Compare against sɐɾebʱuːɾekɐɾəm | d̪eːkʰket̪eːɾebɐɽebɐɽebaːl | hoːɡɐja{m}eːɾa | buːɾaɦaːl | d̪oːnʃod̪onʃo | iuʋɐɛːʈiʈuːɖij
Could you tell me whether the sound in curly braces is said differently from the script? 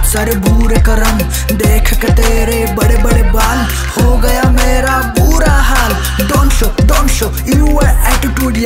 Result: no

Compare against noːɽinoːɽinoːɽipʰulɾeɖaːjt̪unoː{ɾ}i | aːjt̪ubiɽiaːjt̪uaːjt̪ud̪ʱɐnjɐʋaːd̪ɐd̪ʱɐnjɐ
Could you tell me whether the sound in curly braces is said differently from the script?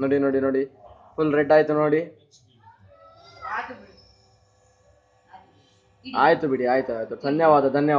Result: yes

